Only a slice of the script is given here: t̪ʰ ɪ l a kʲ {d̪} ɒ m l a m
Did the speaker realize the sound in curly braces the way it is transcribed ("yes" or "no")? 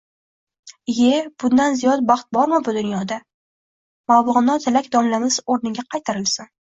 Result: yes